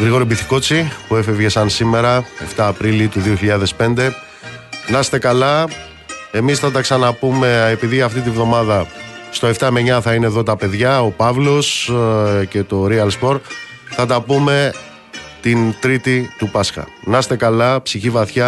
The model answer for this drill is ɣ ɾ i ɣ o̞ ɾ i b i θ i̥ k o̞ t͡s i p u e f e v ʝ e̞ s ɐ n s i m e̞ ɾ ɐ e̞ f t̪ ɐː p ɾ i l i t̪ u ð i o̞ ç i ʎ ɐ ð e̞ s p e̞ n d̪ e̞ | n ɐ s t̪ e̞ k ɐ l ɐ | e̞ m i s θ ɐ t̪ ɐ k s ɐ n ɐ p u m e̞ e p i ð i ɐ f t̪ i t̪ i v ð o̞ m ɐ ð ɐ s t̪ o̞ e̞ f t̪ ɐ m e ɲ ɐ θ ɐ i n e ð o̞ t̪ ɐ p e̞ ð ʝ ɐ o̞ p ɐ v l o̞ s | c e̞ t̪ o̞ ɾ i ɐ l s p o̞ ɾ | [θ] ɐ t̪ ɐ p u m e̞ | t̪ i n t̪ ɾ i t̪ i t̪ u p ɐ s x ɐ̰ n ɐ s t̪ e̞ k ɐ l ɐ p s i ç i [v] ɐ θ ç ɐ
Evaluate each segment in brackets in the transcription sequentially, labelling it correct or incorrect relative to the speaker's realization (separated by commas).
correct, correct